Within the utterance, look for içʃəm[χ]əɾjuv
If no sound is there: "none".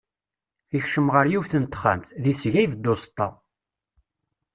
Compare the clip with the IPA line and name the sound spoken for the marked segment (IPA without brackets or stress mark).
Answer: ʁ